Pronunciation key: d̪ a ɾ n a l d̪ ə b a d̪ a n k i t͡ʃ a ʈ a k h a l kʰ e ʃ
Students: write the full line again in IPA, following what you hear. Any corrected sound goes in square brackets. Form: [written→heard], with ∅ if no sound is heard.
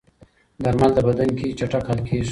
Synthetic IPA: d̪ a ɾ [n→m] a l d̪ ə b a d̪ a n k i t͡ʃ a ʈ a k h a l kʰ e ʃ

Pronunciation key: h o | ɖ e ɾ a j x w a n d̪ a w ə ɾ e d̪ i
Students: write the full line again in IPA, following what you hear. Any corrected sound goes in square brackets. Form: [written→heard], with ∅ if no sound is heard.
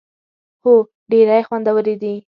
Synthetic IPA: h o | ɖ e ɾ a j x w a n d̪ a w ə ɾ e d̪ i

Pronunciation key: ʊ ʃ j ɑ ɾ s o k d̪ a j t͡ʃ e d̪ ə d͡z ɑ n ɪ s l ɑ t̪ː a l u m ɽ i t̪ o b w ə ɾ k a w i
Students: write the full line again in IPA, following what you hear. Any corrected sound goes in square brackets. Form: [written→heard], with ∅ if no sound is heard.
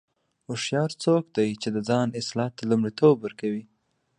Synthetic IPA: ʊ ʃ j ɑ ɾ [s→t͡s] o k d̪ a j t͡ʃ e d̪ ə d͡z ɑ n ɪ s l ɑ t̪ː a l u m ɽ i t̪ o b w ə ɾ k a w i

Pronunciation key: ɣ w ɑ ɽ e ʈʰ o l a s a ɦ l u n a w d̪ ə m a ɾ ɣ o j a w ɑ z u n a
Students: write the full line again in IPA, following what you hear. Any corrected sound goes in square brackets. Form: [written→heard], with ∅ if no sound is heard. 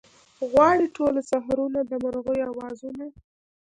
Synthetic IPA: ɣ w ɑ ɽ [e→i] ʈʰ o l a s a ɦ [l→ɾ] u n a [w→∅] d̪ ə m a ɾ ɣ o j a w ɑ z u n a

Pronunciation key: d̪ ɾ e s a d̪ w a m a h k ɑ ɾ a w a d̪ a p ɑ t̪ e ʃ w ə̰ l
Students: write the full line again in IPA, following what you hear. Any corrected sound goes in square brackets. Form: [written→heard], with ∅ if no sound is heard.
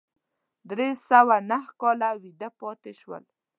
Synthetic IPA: d̪ ɾ e s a [d̪→∅] w a [m→n] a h k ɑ [ɾ→l] a w [a→i] d̪ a p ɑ t̪ e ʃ w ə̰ l

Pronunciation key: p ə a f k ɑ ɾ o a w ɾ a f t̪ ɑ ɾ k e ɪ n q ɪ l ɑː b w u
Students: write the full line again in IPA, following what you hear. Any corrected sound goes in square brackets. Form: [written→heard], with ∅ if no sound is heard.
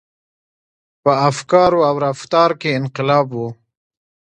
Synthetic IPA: p ə a f k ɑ ɾ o a w ɾ a f t̪ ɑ ɾ k e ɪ n q ɪ l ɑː b w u

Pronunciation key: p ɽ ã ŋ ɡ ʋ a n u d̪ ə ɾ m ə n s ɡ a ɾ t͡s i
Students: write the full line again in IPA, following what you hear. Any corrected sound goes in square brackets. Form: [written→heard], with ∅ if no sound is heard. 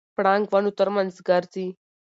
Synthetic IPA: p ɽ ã ŋ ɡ ʋ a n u [d̪→t̪] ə ɾ m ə n s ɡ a ɾ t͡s i

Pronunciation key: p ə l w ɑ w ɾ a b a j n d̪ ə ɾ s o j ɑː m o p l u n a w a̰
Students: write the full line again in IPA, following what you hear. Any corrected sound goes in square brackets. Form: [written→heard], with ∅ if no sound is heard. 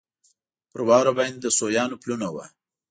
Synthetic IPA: p ə [l→ɾ] w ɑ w ɾ a b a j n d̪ ə [ɾ→∅] s o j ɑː [m→n] o p l u n a w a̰

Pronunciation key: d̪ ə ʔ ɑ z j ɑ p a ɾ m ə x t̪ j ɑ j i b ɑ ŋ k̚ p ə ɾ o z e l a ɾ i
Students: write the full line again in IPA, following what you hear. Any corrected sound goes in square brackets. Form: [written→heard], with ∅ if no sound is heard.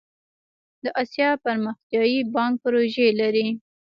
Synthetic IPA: d̪ ə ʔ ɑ [z→s] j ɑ p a ɾ m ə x t̪ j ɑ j i b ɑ ŋ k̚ p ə ɾ o [z→ʒ] e l a ɾ i

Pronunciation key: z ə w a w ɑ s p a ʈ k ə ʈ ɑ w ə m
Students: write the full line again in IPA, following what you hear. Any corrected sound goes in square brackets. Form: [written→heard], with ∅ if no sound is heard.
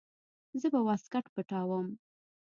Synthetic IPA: z ə [w→b] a w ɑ s [p→k] a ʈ [k→p] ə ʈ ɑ w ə m

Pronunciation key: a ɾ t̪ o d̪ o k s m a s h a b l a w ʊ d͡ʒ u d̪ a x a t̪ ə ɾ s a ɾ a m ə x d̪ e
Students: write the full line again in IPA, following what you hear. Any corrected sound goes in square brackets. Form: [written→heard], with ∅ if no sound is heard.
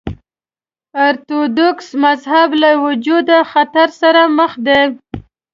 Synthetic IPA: a ɾ t̪ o d̪ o k s m a [s→z] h a b l a w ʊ d͡ʒ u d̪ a x a t̪ [ə→a] ɾ s a ɾ a m ə x d̪ e

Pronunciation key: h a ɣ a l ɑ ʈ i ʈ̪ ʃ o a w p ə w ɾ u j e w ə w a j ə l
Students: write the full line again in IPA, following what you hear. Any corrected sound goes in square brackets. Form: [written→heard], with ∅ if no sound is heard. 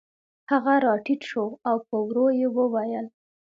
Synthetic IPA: h a ɣ a [l→ɾ] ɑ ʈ i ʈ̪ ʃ o a w p ə w ɾ [u→o] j e w ə w a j ə l

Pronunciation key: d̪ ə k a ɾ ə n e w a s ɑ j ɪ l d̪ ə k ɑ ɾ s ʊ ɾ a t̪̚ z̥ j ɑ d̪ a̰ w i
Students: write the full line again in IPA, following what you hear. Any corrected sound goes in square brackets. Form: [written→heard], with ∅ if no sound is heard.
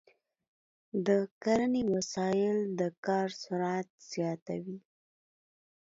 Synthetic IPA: d̪ ə k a ɾ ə n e w a s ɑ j ɪ l d̪ ə k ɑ ɾ s ʊ ɾ a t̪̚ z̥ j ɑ [d̪→t̪] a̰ w i

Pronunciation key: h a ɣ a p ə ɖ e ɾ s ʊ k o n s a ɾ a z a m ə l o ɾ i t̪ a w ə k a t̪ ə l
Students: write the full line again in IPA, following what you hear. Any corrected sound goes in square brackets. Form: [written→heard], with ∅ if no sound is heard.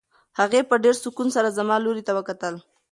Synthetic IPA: h a ɣ [a→e] p ə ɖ e ɾ s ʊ k [o→u] n s a ɾ a z a m [ə→ɑ] l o ɾ i t̪ a w ə k a t̪ ə l

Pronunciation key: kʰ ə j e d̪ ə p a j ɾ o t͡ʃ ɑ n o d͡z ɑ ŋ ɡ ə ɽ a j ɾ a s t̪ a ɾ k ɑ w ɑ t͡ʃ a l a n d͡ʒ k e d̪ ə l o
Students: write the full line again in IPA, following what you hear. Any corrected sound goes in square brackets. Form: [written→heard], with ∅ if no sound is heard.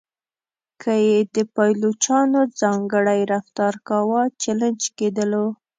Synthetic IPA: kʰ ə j e d̪ ə p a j [ɾ→l] o t͡ʃ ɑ n o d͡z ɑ ŋ ɡ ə ɽ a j ɾ a [s→f] t̪ [a→ɑ] ɾ k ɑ w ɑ t͡ʃ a l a n d͡ʒ k e d̪ ə l o

